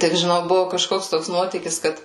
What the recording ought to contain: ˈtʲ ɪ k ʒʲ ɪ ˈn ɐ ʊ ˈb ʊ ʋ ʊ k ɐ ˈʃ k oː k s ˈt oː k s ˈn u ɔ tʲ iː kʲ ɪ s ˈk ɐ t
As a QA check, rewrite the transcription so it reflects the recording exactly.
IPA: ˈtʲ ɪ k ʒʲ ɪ ˈn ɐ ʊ ˈb ʊ ʋ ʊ k ɐ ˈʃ k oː k s ˈt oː k s ˈn u ɔ tʲ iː kʲ ɪ s ˈk ɐ t